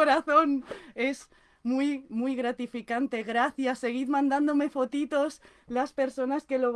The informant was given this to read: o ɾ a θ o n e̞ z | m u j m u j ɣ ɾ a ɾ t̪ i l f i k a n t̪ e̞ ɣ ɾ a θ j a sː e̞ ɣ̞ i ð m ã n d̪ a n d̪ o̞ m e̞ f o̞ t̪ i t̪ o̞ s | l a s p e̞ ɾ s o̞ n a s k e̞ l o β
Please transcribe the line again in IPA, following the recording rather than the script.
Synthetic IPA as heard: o ɾ a θ o n e̞ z | m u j m u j ɣ ɾ a t̪ i f i k a n t̪ e̞ ɣ ɾ a θ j a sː e̞ ɣ̞ i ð m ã n d̪ a n d̪ o̞ m e̞ f o̞ t̪ i t̪ o̞ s | l a s p e̞ ɾ s o̞ n a s k e̞ l o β